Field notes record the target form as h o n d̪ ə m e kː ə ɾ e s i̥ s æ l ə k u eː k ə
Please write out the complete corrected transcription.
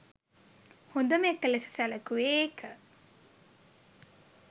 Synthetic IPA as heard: h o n d̪ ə m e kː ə l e s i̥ s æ l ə k u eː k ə